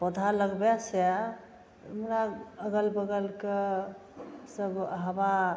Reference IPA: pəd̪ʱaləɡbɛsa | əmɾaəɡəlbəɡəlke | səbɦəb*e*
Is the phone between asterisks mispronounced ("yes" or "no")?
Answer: yes